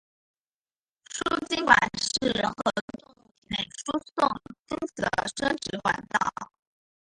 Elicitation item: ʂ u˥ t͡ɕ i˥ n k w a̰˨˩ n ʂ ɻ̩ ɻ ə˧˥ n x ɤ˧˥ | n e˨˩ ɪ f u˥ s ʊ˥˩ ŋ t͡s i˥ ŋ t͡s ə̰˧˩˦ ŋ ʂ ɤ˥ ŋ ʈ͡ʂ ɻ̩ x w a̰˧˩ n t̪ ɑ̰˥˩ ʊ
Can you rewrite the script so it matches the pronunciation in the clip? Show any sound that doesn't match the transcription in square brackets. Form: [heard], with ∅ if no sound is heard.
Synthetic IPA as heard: ʂ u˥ t͡ɕ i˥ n k w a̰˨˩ n ʂ ɻ̩ ɻ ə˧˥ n x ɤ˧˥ | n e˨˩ ɪ [ʂ] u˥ s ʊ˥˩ ŋ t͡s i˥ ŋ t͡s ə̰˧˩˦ [∅] ʂ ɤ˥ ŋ ʈ͡ʂ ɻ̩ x w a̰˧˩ n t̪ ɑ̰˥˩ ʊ